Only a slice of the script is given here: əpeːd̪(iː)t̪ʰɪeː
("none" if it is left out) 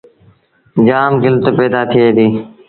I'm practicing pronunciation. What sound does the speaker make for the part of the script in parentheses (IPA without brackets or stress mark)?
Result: aː